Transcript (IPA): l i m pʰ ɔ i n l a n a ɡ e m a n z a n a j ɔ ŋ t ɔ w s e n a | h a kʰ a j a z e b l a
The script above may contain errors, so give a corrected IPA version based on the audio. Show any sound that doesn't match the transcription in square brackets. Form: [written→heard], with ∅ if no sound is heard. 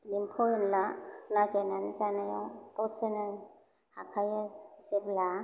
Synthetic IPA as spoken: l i m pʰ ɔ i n l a n a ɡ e [m→n] a n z a n a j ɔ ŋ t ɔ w s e n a | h a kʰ a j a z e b l a